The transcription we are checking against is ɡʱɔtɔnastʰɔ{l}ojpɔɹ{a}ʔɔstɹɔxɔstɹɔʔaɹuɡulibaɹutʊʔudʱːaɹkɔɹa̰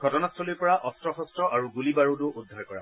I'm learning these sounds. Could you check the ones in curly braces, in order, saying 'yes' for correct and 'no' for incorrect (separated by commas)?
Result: yes, yes